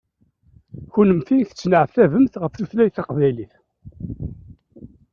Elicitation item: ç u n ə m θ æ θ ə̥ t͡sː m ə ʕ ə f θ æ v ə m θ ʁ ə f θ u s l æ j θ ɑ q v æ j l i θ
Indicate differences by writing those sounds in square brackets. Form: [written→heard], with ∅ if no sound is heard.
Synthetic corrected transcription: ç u n ə m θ [æ→i] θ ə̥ t͡sː [m→n] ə ʕ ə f θ æ v ə m θ ʁ ə f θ u [s→θ] l æ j θ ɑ q v æ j l i θ